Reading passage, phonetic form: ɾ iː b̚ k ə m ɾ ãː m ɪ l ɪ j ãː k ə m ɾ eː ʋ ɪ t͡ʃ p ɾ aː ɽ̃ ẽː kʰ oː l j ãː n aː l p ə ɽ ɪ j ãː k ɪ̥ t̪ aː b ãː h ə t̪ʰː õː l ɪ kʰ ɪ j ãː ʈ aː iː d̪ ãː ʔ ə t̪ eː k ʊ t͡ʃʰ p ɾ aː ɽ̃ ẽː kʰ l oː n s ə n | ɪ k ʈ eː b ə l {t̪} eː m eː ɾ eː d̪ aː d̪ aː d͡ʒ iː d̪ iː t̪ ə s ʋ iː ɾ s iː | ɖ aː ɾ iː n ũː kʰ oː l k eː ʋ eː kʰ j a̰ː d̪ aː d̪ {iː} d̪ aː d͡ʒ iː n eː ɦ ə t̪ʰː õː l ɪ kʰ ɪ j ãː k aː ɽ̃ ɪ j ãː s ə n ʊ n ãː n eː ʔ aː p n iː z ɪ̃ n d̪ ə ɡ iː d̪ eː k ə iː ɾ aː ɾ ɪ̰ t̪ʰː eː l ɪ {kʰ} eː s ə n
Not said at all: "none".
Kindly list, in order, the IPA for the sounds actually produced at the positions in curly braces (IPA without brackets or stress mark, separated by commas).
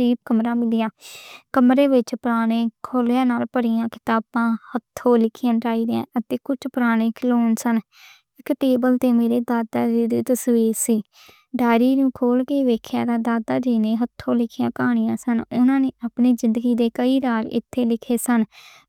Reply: t̪, aː, kʰ